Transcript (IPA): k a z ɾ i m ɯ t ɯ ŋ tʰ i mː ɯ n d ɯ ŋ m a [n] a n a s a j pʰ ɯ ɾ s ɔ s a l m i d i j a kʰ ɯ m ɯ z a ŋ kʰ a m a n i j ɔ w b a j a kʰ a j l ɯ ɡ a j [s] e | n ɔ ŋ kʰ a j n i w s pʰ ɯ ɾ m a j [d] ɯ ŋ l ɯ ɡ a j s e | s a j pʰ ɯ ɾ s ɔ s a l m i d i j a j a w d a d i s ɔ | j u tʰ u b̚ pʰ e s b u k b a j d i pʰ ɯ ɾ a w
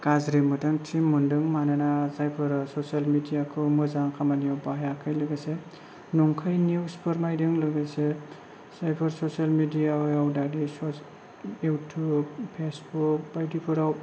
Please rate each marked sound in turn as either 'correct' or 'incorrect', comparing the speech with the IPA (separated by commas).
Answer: correct, correct, correct